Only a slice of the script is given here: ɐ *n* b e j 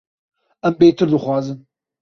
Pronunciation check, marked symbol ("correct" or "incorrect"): incorrect